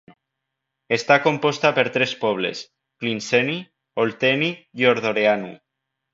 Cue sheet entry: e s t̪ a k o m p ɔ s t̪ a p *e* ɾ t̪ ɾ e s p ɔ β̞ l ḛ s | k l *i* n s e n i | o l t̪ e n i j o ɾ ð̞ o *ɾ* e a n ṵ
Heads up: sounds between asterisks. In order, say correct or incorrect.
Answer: correct, correct, correct

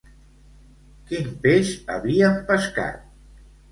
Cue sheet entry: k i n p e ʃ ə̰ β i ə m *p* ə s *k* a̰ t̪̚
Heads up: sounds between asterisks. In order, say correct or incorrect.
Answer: correct, correct

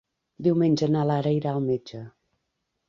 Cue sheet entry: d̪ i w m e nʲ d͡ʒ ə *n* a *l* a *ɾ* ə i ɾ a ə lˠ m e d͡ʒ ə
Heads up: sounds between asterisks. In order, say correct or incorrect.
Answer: correct, correct, correct

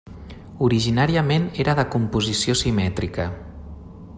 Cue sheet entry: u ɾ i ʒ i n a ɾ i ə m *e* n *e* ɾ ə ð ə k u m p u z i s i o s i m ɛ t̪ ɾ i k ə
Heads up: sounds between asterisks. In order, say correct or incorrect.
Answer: correct, correct

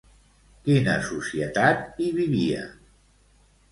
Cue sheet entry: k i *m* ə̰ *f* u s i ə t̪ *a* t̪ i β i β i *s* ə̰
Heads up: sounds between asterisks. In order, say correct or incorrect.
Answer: incorrect: n, incorrect: s, correct, incorrect: none

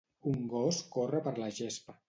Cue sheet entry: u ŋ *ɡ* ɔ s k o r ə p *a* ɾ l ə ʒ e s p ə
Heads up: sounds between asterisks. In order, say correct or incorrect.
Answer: correct, incorrect: ə

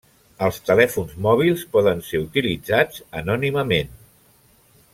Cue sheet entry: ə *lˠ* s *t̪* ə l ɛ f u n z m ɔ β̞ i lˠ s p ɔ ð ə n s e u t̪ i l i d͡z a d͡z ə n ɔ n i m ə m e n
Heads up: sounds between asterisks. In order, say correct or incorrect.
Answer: correct, correct

